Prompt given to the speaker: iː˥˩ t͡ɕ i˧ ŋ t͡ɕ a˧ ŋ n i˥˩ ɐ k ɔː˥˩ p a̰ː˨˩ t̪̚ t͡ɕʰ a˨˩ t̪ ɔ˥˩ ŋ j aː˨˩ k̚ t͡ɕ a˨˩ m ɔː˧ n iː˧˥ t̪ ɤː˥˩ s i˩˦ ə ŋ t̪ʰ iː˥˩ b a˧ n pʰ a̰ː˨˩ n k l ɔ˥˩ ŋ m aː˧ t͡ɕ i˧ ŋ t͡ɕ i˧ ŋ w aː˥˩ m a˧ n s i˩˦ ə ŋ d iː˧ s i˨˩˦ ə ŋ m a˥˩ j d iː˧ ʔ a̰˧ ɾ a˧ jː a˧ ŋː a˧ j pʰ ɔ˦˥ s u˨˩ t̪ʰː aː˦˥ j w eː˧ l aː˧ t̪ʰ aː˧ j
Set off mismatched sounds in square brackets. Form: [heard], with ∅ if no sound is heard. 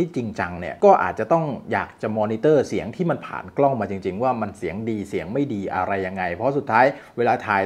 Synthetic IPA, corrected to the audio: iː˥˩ t͡ɕ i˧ ŋ t͡ɕ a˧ ŋ n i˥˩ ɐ k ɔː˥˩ [ʔ] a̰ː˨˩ t̪̚ [t͡ɕ] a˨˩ t̪ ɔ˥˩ ŋ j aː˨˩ k̚ t͡ɕ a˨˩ m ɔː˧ n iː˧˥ t̪ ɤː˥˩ s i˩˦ ə ŋ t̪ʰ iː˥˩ [m] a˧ n pʰ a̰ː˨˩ n k l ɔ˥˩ ŋ m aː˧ t͡ɕ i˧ ŋ t͡ɕ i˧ ŋ w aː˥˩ m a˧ n s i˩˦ ə ŋ d iː˧ s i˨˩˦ ə ŋ m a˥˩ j d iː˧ ʔ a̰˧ ɾ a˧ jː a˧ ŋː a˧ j pʰ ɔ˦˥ s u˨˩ t̪ʰː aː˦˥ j w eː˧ l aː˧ t̪ʰ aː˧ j